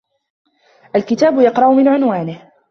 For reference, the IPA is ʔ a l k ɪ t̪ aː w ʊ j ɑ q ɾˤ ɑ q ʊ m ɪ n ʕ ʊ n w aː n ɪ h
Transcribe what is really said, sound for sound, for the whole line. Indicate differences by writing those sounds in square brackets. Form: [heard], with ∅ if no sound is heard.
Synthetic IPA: ʔ a l k ɪ t̪ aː [b] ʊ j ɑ q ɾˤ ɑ [ʔ] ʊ m ɪ n ʕ ʊ n w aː n ɪ h